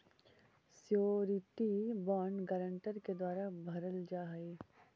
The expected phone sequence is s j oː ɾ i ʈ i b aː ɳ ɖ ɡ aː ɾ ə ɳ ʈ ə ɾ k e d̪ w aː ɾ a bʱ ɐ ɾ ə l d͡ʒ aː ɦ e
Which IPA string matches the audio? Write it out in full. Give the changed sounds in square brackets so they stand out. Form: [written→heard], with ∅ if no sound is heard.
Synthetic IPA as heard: s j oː ɾ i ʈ i b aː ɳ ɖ ɡ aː ɾ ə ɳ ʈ ə ɾ k e d̪ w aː ɾ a bʱ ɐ ɾ ə l d͡ʒ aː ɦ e